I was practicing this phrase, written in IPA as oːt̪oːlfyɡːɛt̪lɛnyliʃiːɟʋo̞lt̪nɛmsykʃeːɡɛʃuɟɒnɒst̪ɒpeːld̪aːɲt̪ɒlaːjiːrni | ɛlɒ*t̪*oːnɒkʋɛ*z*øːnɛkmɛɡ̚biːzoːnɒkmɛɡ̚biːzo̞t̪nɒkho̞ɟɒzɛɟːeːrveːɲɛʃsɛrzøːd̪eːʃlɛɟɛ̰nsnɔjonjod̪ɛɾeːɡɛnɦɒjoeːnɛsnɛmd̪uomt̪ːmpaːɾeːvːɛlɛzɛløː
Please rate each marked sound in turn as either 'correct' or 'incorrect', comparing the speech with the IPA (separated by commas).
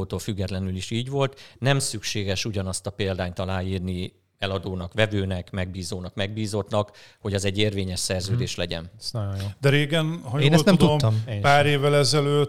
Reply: incorrect, incorrect